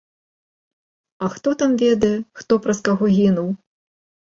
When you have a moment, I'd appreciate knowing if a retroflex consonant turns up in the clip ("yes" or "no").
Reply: no